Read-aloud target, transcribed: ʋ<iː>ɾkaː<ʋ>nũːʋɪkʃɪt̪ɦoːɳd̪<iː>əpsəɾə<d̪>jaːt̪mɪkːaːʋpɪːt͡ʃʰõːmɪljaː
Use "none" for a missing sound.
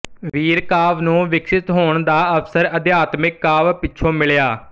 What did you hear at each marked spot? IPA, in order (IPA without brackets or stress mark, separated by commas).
iː, ʋ, aː, d̪